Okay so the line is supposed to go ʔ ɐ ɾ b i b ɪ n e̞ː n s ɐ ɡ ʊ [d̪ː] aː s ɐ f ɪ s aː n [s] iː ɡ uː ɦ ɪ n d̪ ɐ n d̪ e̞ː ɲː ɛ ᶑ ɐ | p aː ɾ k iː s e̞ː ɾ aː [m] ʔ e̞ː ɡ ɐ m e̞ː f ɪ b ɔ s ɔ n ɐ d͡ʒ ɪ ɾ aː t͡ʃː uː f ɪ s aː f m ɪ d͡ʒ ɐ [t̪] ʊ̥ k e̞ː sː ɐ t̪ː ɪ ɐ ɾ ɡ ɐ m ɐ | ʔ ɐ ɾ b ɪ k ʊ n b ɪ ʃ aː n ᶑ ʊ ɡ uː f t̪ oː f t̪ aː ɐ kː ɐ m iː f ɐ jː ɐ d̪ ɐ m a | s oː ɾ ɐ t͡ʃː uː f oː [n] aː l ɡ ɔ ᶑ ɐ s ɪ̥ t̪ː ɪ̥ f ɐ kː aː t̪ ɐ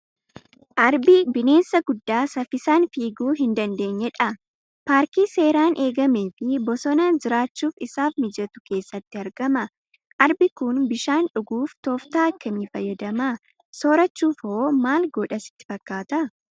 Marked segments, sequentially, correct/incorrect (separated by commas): correct, incorrect, incorrect, correct, incorrect